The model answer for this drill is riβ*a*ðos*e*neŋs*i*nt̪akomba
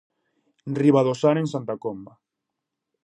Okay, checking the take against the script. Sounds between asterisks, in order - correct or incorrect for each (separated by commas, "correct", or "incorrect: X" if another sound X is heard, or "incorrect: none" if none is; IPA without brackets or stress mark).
correct, incorrect: a, incorrect: a